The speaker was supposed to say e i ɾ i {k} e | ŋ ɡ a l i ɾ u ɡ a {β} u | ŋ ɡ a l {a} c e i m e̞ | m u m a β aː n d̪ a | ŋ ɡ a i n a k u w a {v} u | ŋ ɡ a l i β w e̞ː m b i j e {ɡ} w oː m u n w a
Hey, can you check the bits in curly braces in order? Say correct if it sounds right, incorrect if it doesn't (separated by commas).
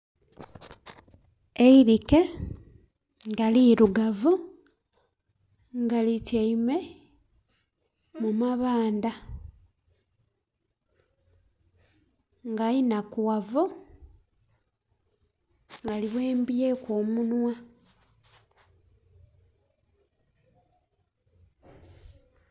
correct, incorrect, incorrect, correct, incorrect